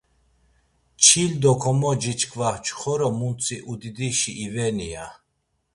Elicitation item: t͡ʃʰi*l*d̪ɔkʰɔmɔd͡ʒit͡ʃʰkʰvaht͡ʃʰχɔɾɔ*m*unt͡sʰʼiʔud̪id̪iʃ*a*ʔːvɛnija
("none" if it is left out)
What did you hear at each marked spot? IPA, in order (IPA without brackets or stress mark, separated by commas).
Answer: l, m, i